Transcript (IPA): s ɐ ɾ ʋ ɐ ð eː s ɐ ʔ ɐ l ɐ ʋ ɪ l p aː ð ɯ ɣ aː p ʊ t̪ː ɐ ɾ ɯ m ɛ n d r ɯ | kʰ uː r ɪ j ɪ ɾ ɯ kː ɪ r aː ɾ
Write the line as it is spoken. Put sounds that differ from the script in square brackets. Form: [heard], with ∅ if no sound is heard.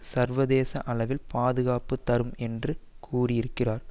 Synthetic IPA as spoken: s ɐ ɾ ʋ ɐ ð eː s ɐ ʔ ɐ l ɐ ʋ ɪ l p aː ð ɯ ɣ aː p [ɯ] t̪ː ɐ ɾ ɯ m ɛ n d r ɯ | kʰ uː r ɪ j ɪ ɾ ɯ kː ɪ r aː ɾ